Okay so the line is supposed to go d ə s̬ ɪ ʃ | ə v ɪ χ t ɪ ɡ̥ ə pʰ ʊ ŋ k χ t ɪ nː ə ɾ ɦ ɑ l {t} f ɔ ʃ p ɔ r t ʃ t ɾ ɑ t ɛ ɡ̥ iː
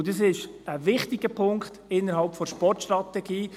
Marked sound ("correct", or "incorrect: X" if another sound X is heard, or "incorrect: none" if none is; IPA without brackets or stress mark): incorrect: p